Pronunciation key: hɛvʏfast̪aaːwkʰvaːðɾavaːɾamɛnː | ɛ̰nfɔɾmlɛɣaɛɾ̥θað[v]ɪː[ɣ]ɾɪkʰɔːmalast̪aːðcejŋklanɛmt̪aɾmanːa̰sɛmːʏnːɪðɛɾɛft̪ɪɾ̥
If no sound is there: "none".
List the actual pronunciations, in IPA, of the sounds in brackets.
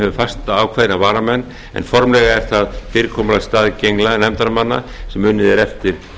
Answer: f, none

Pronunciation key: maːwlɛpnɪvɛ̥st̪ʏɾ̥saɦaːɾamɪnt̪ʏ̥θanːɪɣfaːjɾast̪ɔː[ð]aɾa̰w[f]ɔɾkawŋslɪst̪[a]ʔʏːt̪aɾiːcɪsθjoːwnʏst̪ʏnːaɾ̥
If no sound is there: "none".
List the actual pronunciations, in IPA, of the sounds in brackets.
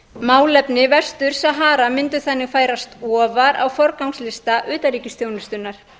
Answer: v, f, a

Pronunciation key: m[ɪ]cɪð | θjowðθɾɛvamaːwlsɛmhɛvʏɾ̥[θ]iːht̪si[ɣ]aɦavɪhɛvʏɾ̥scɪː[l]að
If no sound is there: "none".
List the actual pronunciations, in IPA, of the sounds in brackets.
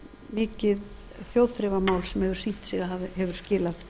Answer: ɪː, s, ɣ, l

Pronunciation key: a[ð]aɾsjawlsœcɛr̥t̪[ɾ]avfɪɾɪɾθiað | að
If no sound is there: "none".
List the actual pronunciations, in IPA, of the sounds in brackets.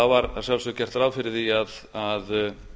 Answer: v, ɾ

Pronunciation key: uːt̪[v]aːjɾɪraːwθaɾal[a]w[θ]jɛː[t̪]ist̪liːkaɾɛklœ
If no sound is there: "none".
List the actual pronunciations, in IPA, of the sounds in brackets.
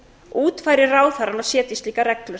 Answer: f, a, s, t̪

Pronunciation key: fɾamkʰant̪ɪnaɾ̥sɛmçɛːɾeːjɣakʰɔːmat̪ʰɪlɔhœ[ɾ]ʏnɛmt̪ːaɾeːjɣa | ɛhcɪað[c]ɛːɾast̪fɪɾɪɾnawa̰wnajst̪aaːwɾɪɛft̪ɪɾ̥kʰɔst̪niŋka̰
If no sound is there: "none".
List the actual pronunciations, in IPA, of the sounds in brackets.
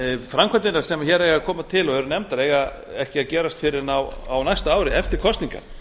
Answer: ɾ, c

